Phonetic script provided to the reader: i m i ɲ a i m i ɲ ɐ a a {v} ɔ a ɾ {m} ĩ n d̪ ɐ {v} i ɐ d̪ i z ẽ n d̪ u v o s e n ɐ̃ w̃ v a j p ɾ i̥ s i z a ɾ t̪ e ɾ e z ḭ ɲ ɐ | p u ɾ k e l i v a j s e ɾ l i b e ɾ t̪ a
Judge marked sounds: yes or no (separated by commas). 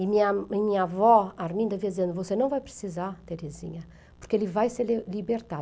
yes, yes, yes